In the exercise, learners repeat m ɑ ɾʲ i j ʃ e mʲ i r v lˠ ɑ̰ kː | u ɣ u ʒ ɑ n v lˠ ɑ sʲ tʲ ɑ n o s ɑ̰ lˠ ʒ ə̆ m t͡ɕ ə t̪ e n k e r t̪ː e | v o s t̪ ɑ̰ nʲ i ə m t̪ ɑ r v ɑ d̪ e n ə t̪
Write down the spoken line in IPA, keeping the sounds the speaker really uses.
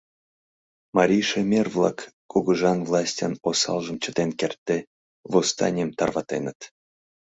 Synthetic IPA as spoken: m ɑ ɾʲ i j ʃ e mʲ e r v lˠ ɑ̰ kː | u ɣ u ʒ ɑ n v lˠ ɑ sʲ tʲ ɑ n o s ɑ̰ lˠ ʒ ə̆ m t͡ɕ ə t̪ e n k e r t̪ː e | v o s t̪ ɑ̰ nʲ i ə m t̪ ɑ r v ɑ t̪ e n ə t̪